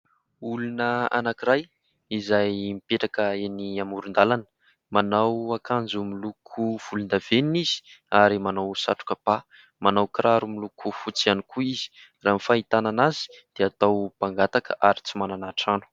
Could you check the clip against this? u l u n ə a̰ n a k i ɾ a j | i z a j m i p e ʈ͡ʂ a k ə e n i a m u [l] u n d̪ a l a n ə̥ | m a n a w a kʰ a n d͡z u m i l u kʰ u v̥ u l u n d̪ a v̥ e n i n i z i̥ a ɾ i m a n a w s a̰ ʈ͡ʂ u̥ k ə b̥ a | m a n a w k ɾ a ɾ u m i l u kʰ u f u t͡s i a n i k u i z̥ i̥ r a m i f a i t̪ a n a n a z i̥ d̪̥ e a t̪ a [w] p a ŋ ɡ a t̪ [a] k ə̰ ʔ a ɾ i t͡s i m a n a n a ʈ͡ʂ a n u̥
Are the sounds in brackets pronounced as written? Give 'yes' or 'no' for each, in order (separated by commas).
no, yes, yes